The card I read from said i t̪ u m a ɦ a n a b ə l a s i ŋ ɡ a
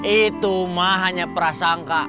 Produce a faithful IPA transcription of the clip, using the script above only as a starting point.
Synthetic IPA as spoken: i t̪ u m a ɦ a ɲ a p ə ɾ a s a ŋ k a